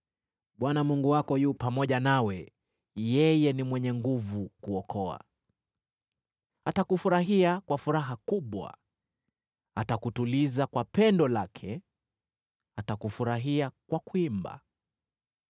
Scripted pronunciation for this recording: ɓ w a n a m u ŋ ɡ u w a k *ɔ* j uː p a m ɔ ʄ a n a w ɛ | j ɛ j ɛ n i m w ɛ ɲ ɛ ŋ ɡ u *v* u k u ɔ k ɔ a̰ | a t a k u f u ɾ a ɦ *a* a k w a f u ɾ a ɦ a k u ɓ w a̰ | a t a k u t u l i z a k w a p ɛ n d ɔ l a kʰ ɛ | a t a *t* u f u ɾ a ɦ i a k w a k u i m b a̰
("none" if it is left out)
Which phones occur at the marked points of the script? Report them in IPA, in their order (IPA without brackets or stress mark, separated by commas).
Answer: ɔ, v, i, k